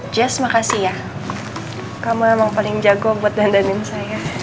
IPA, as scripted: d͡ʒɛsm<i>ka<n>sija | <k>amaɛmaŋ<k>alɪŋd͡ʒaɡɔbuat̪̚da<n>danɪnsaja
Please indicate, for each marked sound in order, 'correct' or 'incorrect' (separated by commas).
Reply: incorrect, incorrect, correct, incorrect, correct